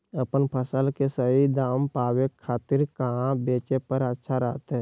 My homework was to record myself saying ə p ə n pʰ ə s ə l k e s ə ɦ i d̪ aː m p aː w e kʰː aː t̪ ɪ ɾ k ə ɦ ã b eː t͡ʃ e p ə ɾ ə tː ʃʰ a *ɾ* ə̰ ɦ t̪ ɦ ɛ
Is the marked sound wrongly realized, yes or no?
no